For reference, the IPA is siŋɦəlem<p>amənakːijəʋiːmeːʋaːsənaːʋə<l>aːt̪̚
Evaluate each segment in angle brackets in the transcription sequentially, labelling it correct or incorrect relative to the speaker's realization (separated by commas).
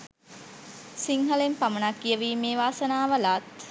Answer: correct, correct